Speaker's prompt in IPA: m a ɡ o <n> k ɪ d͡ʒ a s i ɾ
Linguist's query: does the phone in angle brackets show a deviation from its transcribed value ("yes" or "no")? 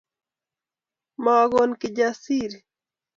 no